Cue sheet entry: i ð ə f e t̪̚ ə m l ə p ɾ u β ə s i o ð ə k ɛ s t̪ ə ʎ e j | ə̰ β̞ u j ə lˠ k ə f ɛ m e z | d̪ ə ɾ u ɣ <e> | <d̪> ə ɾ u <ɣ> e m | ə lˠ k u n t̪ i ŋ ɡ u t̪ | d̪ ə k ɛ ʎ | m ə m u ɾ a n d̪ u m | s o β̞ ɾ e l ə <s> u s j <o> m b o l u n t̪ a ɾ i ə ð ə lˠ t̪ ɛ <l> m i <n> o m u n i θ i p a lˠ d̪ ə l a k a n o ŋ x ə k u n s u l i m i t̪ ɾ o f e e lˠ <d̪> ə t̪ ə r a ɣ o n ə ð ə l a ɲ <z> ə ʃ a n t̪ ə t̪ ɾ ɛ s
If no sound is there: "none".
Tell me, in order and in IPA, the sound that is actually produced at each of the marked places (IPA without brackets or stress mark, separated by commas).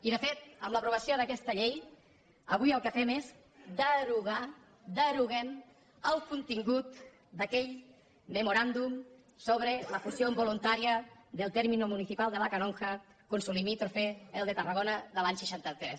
a, d̪, ɣ, f, o, ɾ, n, d̪, s